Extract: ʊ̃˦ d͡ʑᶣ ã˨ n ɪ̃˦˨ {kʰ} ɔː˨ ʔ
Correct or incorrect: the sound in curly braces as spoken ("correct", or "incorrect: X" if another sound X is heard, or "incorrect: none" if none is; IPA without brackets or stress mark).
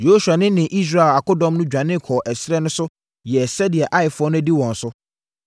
correct